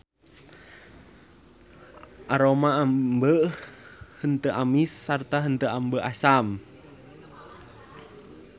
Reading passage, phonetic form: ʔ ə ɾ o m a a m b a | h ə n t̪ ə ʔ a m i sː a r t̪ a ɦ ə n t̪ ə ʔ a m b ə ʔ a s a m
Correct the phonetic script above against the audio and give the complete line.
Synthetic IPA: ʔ a ɾ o m a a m b ə | h ə n t̪ ə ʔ a m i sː a r t̪ a ɦ ə n t̪ ə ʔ a m b ə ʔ a s a m